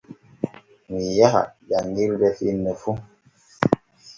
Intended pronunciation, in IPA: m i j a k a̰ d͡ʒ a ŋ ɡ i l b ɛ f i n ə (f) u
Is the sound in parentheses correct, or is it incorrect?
correct